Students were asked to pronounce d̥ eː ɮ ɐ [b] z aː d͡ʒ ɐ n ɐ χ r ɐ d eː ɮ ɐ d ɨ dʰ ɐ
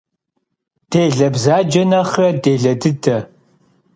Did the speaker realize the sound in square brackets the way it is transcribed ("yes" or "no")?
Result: yes